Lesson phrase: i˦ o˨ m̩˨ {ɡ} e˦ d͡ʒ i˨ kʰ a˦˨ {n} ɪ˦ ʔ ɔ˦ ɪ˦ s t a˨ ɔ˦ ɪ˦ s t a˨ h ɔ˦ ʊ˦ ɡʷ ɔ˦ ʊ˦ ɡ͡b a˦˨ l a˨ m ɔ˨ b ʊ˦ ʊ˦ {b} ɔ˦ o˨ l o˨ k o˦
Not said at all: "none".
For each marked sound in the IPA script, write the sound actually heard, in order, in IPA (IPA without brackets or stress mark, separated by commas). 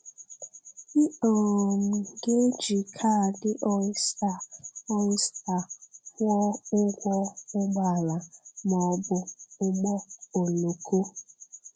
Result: ɡ, d, ɡ͡b